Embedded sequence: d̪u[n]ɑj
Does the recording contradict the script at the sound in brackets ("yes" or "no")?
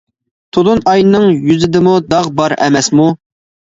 no